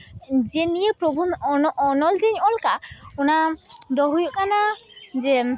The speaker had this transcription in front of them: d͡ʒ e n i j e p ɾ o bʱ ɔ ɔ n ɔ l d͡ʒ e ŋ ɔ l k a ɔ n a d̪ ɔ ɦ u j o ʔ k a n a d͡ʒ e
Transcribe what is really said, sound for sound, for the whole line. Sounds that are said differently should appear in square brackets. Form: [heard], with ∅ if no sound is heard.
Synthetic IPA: d͡ʒ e n i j e p ɾ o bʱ [u] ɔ n ɔ l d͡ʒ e [ɲ] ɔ l k a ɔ n a d̪ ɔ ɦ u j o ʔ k a n a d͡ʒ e